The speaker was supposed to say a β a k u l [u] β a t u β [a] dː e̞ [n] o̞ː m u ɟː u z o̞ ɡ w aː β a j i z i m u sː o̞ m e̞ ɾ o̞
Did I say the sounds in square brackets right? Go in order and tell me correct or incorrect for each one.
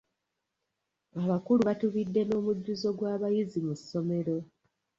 correct, incorrect: i, correct

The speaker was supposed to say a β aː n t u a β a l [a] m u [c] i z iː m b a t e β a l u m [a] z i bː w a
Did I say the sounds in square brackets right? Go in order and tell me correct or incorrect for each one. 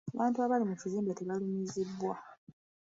incorrect: i, correct, incorrect: i

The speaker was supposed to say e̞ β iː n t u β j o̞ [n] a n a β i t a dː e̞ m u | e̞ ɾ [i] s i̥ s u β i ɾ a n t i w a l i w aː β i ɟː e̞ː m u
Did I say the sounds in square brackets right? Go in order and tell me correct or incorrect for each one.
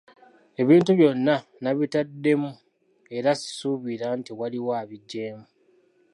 incorrect: nː, incorrect: a

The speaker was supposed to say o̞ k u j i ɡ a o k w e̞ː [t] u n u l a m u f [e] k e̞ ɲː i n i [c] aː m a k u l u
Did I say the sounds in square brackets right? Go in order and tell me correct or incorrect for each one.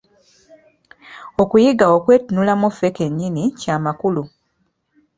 correct, correct, correct

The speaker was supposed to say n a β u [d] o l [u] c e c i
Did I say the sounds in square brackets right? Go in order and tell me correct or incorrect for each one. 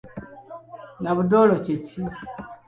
correct, incorrect: o

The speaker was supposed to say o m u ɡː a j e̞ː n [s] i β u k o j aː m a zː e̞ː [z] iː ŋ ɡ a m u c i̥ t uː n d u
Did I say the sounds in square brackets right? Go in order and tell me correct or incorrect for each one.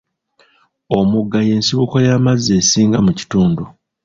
correct, incorrect: s

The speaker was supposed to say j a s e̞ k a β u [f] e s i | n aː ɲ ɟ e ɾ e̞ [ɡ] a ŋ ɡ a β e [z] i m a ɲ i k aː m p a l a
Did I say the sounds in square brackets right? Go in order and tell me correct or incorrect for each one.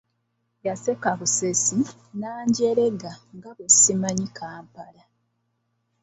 incorrect: s, correct, incorrect: s

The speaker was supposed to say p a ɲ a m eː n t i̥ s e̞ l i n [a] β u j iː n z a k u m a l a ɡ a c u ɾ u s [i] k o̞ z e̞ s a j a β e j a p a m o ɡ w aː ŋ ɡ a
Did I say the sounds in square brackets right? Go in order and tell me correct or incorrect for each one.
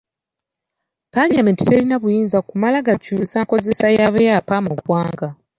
correct, incorrect: a

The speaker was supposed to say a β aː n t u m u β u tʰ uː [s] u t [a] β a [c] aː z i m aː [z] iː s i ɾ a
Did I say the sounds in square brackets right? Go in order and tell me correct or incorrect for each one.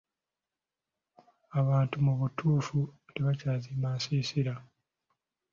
incorrect: f, incorrect: e, correct, incorrect: s

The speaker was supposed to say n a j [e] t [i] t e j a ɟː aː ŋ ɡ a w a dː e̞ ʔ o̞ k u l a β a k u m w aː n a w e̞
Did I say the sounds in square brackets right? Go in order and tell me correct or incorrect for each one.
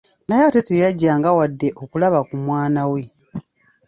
incorrect: a, incorrect: e

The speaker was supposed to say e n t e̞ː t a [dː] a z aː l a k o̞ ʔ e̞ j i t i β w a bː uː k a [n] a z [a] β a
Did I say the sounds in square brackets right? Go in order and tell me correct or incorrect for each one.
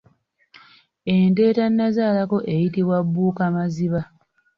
incorrect: nː, incorrect: m, incorrect: i

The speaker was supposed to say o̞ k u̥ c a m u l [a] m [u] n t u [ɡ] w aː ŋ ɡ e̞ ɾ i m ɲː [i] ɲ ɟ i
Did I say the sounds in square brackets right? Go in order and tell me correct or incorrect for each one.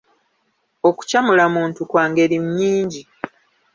correct, incorrect: uː, incorrect: k, incorrect: iː

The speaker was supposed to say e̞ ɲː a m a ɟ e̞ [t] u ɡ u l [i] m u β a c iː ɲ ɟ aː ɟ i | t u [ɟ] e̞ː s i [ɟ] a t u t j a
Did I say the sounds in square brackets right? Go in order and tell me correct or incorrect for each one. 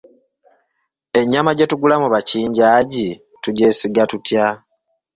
correct, incorrect: a, correct, incorrect: ɡ

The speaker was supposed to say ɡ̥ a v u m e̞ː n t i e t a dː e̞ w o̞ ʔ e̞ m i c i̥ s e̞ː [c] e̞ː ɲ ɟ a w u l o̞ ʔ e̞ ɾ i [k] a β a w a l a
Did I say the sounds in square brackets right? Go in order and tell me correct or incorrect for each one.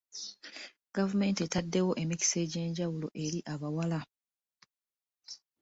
incorrect: ɟ, incorrect: ʔ

